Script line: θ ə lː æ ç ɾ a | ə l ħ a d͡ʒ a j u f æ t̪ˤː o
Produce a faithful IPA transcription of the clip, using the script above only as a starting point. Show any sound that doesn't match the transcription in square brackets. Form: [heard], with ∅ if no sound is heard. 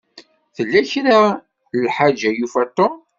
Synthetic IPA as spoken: θ ə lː æ ç ɾ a | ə l ħ a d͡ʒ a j u f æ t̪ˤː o